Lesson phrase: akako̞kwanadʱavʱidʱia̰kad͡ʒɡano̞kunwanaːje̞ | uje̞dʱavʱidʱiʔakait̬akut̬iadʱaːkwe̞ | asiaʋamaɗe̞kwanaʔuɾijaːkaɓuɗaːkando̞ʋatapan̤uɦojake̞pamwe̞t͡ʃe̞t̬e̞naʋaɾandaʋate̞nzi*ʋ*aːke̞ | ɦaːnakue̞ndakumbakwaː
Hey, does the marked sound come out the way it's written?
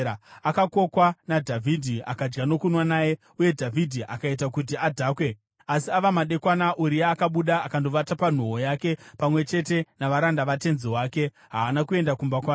no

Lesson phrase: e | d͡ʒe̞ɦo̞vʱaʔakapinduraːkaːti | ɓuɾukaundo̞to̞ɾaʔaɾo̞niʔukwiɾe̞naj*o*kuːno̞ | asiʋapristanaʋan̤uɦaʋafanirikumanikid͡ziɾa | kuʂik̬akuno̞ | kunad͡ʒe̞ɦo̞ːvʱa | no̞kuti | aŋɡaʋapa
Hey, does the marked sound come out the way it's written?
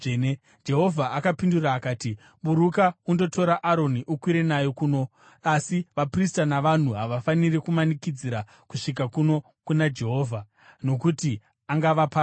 yes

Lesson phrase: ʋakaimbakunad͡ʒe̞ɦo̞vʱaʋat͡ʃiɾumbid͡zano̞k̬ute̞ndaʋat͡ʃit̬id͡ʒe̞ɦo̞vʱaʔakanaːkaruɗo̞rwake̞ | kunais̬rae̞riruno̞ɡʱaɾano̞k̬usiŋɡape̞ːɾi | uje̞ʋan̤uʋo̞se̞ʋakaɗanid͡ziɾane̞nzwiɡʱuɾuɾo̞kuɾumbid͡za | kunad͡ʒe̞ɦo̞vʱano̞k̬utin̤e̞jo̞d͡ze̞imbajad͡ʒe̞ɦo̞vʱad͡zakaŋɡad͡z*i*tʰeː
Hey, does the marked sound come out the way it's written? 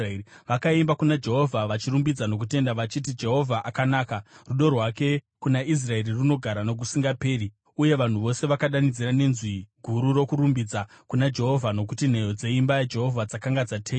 no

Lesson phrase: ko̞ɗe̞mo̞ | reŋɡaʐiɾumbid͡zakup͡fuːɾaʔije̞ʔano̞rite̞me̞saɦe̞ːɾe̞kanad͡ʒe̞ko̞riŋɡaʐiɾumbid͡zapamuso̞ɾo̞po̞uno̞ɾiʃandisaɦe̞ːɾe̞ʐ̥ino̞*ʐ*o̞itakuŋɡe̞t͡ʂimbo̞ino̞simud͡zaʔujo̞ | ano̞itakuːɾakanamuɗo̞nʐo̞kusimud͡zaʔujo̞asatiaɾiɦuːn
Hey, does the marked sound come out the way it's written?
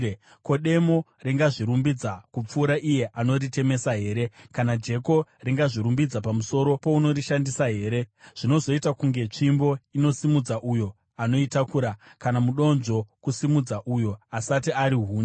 no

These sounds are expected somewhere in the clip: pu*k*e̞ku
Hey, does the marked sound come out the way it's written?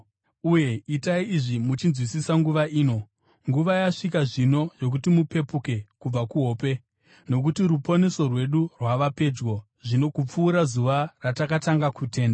yes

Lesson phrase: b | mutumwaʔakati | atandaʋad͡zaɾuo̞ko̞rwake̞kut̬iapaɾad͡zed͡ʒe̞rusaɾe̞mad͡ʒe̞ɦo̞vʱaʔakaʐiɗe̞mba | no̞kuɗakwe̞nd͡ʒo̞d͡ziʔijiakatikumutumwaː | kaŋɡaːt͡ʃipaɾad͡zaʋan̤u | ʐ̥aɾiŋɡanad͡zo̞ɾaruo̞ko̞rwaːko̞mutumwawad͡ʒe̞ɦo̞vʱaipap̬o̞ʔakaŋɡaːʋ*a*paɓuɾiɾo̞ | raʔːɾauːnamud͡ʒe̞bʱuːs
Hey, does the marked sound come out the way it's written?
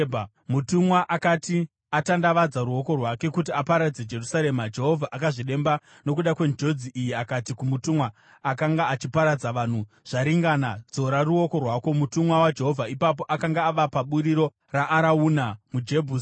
yes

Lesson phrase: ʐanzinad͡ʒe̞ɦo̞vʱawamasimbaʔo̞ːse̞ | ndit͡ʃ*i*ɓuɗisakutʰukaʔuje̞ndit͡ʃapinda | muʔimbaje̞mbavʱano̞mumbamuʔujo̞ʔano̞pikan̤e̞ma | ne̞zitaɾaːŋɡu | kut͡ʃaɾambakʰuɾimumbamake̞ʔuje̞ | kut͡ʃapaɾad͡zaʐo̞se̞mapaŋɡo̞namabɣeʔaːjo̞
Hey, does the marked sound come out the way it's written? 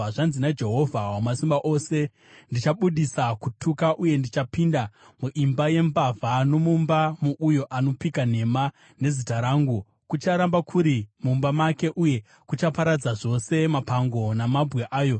no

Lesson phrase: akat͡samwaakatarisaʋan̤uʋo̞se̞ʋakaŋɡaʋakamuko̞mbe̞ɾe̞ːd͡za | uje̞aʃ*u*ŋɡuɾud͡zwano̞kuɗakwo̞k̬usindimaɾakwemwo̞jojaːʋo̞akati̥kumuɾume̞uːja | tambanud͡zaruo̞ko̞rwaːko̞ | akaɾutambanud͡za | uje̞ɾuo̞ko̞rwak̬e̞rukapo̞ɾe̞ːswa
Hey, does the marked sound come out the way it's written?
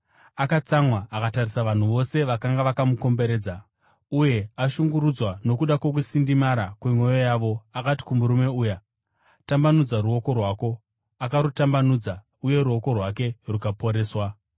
yes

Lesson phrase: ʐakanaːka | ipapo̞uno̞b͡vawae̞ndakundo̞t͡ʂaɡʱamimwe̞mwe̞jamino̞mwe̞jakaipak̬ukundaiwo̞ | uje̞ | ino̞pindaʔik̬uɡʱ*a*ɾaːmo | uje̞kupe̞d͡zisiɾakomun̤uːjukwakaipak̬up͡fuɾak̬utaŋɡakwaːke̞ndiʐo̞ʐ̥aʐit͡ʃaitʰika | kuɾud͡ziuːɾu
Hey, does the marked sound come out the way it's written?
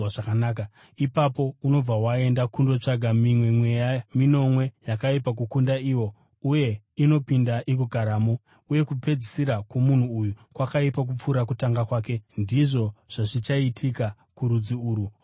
yes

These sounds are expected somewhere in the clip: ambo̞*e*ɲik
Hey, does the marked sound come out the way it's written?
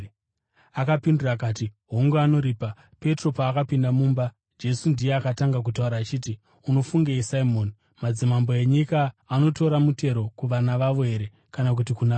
yes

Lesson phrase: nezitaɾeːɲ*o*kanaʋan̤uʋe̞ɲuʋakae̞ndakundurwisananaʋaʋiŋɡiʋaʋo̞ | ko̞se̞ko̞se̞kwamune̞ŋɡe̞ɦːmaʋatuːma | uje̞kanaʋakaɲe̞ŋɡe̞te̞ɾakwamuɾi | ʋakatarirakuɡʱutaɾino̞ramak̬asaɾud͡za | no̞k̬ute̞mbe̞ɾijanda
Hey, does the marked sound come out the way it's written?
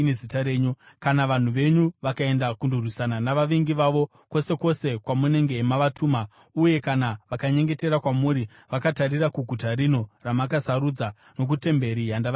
no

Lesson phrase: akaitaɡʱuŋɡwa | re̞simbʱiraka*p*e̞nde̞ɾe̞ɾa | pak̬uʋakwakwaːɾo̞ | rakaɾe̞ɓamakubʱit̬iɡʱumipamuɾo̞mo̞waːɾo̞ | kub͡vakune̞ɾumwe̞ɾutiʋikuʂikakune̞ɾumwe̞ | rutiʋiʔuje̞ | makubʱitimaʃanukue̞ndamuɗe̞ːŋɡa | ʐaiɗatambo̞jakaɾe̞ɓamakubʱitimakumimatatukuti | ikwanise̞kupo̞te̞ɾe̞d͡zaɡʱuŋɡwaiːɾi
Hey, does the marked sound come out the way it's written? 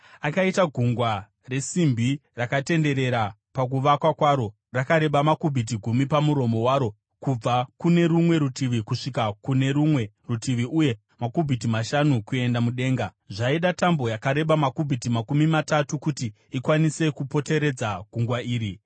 no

